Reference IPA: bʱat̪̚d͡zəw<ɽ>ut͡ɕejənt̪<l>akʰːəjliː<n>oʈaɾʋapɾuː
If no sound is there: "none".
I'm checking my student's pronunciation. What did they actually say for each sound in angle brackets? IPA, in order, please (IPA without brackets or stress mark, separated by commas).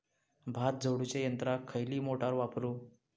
ɽ, ɾ, m